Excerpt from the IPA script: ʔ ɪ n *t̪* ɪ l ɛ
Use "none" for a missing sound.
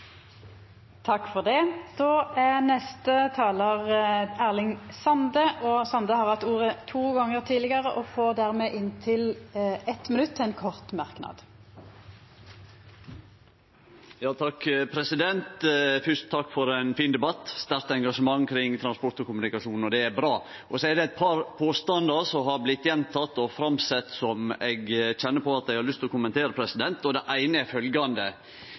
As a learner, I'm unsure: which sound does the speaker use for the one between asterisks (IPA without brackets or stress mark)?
t̪ʰ